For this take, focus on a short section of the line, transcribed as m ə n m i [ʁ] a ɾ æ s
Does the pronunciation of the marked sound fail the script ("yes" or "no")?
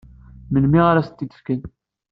no